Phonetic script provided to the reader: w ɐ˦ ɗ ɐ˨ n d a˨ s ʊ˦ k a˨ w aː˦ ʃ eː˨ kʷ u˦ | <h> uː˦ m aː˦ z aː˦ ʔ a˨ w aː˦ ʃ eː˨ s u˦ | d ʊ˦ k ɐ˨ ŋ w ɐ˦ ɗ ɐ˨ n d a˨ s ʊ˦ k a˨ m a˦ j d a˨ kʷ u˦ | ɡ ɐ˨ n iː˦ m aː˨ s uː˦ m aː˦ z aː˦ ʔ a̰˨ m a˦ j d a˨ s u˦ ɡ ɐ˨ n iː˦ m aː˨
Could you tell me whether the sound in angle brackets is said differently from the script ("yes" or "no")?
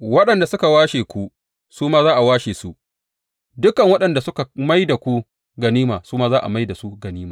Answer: yes